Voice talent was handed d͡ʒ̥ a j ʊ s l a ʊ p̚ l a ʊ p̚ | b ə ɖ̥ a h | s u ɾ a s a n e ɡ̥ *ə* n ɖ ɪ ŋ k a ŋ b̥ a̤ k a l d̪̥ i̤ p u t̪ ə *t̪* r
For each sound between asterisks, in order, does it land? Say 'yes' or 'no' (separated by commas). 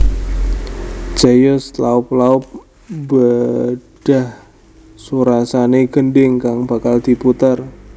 yes, no